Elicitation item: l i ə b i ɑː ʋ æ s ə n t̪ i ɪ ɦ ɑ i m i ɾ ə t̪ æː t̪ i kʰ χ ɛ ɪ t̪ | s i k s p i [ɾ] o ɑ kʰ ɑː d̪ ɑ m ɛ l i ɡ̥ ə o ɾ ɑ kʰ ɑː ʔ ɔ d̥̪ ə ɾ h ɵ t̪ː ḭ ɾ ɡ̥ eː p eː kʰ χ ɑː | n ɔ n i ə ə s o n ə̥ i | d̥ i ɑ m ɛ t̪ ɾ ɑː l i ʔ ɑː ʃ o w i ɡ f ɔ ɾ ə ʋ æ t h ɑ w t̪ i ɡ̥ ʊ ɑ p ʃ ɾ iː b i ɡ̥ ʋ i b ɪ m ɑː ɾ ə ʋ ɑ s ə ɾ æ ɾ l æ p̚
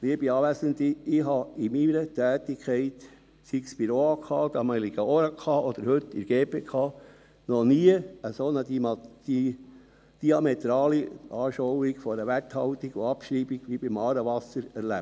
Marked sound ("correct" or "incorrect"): correct